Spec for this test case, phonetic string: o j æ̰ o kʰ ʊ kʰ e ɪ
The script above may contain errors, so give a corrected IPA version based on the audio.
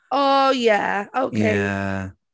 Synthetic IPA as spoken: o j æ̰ o ʊ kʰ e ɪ